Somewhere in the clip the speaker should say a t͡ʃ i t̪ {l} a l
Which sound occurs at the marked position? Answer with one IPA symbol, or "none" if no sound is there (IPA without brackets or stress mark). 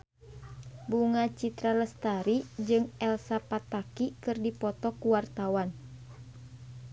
ɾ